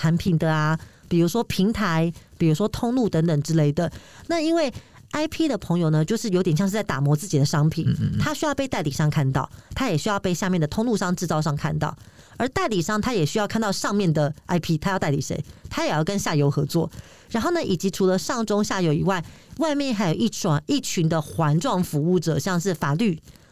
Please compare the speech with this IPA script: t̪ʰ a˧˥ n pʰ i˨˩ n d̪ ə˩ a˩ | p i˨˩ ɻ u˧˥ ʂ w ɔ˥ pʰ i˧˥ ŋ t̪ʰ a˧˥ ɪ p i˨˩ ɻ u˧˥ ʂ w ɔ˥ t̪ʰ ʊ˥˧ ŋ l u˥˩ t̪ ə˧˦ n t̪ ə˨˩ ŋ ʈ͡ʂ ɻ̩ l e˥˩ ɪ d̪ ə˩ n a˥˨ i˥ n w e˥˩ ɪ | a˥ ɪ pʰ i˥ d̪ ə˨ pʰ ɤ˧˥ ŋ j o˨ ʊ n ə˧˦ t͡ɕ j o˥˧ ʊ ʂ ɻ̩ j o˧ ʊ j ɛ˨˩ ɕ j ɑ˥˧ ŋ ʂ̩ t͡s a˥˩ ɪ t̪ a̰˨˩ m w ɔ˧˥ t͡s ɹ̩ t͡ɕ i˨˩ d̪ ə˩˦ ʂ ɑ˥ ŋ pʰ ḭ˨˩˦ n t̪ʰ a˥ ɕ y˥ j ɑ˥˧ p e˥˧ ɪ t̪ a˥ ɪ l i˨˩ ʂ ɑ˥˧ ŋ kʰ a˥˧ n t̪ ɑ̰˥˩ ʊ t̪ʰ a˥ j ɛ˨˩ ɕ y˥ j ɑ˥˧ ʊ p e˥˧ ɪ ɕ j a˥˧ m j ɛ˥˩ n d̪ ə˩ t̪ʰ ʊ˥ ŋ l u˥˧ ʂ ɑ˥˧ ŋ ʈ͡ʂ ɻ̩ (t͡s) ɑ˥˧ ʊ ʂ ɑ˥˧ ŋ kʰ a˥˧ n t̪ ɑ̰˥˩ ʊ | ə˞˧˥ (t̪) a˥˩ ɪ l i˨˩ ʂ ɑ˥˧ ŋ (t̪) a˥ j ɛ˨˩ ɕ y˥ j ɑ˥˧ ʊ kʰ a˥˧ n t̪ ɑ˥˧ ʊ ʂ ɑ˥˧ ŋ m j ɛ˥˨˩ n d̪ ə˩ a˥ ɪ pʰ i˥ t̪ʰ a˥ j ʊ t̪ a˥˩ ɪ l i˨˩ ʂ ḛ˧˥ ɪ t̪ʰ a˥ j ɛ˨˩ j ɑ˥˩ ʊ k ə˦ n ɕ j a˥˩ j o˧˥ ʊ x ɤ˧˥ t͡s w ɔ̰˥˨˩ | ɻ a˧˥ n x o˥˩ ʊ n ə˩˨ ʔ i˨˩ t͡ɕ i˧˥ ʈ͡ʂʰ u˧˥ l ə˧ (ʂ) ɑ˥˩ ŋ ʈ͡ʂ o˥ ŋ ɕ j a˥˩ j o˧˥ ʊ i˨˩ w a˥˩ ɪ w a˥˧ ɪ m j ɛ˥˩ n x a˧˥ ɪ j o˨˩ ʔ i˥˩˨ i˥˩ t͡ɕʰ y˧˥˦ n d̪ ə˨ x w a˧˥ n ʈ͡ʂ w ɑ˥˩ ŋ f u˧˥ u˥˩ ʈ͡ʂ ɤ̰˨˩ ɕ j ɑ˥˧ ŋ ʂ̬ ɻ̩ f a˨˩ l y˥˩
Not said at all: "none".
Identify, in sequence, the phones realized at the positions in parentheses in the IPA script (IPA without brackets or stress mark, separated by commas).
t͡s, t̪, t̪ʰ, ʂ